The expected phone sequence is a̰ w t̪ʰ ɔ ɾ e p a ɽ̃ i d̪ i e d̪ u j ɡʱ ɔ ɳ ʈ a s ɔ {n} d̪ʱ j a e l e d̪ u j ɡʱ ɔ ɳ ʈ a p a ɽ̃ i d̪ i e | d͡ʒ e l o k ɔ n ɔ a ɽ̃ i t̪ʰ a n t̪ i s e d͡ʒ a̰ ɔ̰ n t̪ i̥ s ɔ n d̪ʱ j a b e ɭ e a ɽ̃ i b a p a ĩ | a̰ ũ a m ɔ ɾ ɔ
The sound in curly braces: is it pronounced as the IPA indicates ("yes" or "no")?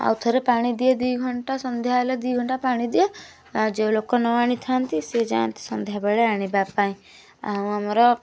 yes